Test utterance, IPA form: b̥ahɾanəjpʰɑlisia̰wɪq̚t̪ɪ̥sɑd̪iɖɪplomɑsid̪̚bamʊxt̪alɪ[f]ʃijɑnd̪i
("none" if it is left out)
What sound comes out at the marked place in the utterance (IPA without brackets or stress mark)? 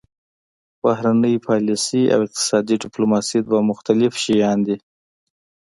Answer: f